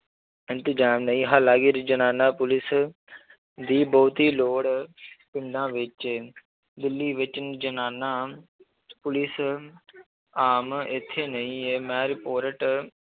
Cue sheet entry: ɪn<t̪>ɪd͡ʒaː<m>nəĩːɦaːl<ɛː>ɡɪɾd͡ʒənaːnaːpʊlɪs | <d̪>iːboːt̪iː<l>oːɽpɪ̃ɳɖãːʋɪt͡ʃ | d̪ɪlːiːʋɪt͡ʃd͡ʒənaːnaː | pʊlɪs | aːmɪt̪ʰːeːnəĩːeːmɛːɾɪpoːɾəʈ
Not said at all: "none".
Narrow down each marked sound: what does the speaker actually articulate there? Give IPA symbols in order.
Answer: t̪, m, aː, d̪, l

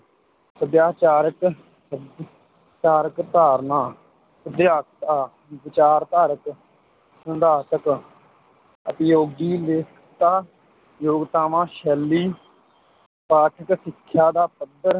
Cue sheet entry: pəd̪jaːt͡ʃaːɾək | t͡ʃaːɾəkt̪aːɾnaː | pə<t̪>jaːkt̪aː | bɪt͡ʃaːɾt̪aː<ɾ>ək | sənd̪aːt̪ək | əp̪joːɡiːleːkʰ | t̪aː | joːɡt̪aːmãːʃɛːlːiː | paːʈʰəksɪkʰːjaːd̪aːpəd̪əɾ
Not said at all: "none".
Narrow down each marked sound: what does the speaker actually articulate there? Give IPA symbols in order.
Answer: d̪, ɾ

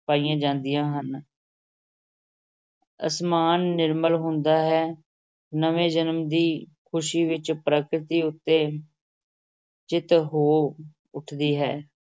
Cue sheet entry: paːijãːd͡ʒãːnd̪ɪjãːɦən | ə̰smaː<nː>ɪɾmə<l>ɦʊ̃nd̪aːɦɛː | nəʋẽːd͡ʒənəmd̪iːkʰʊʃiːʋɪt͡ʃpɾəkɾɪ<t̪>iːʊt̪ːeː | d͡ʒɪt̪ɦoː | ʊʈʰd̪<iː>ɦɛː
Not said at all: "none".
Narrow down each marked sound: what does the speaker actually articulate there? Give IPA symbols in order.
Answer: nː, l, t̪, iː

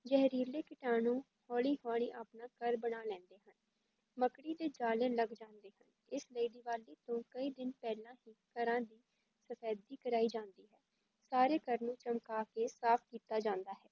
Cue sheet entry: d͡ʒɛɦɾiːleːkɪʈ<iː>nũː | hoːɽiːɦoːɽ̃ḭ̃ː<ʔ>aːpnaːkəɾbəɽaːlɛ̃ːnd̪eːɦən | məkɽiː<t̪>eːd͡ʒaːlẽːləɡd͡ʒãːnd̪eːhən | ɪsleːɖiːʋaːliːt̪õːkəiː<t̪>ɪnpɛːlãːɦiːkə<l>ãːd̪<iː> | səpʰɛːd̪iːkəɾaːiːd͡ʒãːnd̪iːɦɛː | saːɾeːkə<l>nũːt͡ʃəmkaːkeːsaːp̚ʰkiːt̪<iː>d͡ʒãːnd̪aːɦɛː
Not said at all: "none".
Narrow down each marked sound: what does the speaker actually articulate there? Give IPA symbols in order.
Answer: aː, ʔ, d̪, d̪, ɾ, iː, ɾ, aː

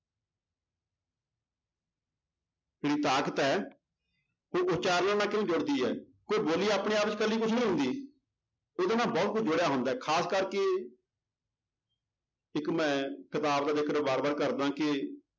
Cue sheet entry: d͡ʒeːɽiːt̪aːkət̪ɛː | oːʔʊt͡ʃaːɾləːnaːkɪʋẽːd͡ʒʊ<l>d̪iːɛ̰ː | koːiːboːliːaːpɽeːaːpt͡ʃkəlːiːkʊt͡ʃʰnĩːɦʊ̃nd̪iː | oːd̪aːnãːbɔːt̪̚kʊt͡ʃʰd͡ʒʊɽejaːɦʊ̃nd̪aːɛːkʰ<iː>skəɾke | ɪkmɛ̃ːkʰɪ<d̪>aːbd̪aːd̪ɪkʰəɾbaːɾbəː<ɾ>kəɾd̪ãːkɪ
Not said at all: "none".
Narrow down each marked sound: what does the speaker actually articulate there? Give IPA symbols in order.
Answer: ɽ, aː, t̪, ɾ

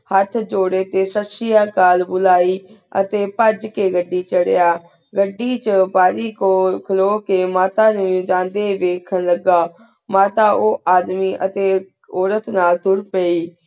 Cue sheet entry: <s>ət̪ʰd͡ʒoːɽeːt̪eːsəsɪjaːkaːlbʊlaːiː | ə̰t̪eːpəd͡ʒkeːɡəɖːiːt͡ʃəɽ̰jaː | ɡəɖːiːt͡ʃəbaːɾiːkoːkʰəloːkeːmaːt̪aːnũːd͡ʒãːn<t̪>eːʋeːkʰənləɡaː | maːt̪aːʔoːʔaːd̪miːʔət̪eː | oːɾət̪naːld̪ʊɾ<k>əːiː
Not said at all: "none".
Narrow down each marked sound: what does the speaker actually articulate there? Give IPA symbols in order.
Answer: h, d̪, p

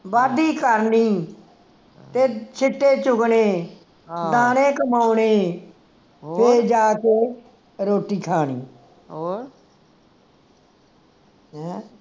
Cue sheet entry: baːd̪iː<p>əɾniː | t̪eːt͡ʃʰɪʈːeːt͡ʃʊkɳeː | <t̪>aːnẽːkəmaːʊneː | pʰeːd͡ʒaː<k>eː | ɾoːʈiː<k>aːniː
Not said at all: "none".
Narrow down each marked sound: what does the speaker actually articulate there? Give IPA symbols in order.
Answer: k, d̪, k, kʰ

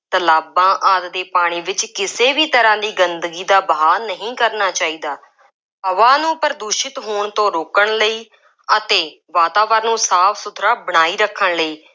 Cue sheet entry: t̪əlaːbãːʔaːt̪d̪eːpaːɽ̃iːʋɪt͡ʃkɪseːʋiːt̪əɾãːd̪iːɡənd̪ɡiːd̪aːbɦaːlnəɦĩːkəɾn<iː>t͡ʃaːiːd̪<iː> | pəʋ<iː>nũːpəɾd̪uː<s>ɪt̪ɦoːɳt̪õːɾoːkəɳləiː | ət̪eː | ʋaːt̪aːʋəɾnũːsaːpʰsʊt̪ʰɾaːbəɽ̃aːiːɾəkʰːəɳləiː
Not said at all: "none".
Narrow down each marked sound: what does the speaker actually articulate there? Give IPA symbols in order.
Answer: aː, aː, aː, ʃ

